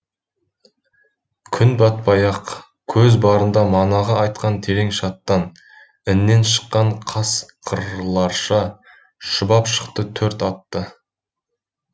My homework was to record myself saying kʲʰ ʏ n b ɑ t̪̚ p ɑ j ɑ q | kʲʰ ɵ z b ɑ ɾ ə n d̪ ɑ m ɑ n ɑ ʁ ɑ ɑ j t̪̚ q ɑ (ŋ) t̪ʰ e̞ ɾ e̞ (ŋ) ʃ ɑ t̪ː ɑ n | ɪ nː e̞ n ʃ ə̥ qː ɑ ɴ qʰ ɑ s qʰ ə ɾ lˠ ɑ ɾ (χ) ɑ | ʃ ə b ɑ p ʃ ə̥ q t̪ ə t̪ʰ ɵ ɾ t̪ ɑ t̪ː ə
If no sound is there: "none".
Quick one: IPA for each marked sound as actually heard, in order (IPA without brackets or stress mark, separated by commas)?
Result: n, ŋ, ʃ